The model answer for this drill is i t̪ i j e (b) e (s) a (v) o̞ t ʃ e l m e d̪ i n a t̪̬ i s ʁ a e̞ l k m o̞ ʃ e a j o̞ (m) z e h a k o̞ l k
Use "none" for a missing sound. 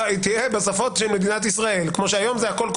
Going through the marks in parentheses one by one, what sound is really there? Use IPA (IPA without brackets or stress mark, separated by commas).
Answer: b, s, f, m